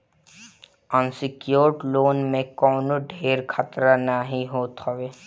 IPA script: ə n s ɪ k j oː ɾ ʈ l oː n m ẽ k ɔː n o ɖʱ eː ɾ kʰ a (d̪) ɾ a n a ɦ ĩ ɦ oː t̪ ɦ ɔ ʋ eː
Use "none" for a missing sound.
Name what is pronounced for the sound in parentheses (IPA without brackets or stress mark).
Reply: t̪